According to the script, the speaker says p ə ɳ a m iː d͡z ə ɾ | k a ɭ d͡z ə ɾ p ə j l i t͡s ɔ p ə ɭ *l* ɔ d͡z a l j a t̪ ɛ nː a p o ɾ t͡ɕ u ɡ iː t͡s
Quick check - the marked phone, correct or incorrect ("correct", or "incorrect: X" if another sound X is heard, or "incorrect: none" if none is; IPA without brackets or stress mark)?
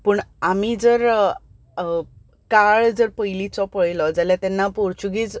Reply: correct